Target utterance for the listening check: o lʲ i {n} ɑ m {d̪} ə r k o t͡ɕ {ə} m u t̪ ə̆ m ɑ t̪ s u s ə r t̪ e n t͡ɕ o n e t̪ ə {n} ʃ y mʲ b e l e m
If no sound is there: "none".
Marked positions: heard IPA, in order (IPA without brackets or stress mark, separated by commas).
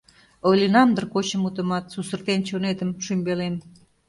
n, d̪, ə, m